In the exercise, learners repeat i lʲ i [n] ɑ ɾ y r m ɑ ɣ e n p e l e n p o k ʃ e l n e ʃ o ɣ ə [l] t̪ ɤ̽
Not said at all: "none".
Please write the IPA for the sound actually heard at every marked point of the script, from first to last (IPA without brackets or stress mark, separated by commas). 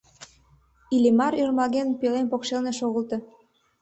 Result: m, l